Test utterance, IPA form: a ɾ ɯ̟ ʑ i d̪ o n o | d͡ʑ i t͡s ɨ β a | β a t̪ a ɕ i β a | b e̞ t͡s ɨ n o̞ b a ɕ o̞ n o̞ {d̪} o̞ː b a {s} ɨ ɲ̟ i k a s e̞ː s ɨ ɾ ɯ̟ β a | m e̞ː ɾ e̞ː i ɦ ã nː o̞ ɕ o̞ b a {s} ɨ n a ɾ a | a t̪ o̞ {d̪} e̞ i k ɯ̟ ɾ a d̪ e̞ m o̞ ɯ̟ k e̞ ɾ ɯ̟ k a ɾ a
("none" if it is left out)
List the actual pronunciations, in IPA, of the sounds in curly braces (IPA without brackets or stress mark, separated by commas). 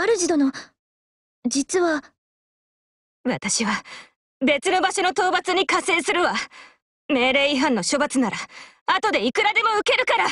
t̪, t͡s, t͡s, d̪